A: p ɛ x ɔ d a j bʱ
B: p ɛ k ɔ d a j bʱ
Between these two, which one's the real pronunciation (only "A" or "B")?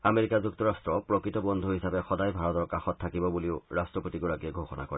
A